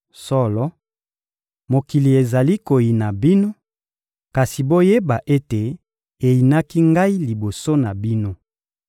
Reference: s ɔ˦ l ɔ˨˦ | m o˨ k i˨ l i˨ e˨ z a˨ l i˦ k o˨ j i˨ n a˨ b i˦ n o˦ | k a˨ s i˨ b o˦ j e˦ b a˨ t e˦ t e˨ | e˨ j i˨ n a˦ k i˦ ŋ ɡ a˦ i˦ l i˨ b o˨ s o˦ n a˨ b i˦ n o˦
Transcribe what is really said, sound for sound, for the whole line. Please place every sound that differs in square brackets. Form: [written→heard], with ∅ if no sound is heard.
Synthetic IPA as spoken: s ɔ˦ l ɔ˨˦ | m o˨ k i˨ l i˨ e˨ z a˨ l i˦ k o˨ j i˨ n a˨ b i˦ n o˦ | k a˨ s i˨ b o˦ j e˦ b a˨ [t→ʔ] e˦ t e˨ | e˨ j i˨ n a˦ k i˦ ŋ ɡ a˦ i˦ l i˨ b o˨ s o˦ n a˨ b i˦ n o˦